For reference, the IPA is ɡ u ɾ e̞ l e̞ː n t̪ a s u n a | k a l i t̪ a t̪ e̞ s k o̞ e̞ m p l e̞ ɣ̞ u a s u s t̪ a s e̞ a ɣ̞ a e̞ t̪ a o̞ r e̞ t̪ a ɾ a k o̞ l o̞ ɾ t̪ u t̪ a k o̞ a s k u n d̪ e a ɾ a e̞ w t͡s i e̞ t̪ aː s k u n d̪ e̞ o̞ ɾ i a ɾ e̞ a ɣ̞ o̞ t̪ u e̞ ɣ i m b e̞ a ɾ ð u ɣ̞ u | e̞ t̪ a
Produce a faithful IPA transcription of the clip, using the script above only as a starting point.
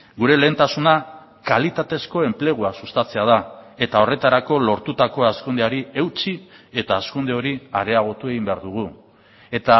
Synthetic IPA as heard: ɡ u ɾ e̞ l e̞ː n t̪ a s u n a | k a l i t̪ a t̪ e̞ s k o̞ e̞ m p l e̞ ɣ̞ u a s u s t̪ a t͡s e̞ a ð̞ a e̞ t̪ a o̞ r e̞ t̪ a ɾ a k o̞ l o̞ ɾ t̪ u t̪ a k o̞ a s k u n d̪ e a ɾ i e̞ w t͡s i e̞ t̪ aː s k u n d̪ e̞ o̞ ɾ i a ɾ e̞ a ɣ̞ o̞ t̪ u e̞ ɣ i m b e̞ a ɾ ð u ɣ̞ u | e̞ t̪ a